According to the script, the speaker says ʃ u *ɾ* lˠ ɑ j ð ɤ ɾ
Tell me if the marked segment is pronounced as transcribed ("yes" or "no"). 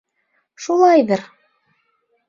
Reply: no